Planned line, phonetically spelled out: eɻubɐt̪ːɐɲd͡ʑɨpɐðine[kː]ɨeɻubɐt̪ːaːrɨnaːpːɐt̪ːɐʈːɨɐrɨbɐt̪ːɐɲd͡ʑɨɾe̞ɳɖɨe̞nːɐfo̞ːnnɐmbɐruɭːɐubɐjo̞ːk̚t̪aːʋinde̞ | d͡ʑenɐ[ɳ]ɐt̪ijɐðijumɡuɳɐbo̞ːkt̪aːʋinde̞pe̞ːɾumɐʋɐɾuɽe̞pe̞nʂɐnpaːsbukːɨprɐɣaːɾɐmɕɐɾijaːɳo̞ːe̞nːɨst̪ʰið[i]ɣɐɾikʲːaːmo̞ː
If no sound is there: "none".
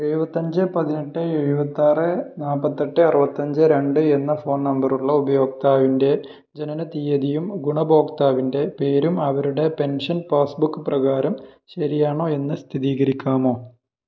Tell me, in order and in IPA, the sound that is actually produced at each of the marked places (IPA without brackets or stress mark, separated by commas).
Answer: ʈː, n, iː